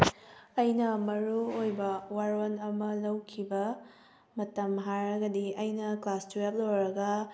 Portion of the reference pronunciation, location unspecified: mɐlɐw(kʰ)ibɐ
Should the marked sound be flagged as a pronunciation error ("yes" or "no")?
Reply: no